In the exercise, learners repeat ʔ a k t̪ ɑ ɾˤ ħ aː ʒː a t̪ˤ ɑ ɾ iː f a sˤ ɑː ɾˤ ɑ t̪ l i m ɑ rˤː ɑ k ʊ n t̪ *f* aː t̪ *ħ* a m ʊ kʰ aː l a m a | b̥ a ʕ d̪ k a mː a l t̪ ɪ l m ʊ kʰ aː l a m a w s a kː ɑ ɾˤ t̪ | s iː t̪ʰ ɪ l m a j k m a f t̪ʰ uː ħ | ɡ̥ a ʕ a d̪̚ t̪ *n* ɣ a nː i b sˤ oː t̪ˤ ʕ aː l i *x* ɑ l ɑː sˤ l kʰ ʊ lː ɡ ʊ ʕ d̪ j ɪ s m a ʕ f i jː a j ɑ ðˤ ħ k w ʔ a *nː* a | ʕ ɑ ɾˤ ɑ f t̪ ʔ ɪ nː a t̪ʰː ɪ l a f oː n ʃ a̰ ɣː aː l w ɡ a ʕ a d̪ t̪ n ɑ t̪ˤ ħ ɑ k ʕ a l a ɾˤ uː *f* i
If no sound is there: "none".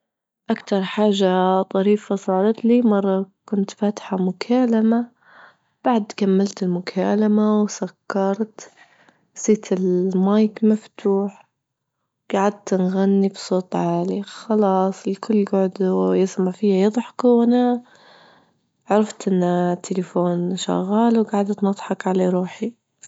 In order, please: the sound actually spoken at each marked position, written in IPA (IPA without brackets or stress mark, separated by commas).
f, ħ, n, x, n, ħ